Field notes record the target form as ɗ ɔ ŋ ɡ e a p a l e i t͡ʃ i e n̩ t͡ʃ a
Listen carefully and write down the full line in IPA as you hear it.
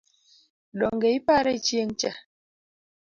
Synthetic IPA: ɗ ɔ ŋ ɡ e i p a ɾ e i t͡ʃ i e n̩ t͡ʃ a